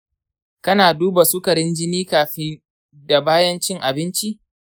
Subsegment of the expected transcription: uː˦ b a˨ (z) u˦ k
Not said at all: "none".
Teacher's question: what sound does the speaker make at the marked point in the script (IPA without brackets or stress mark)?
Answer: s